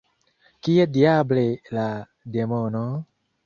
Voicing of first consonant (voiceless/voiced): voiceless